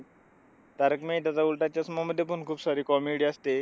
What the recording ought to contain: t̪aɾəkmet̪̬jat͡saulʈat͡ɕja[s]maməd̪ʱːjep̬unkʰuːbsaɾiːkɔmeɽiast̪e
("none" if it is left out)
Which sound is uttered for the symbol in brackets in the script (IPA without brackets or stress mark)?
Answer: s